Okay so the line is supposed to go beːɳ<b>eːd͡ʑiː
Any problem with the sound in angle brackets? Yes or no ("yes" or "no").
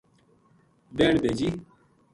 no